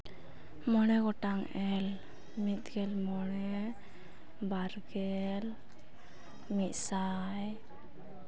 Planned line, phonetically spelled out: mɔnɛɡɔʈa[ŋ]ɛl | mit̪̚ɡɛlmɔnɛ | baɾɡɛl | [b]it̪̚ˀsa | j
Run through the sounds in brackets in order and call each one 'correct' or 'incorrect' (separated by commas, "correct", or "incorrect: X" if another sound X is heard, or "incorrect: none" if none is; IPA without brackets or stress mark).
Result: correct, incorrect: m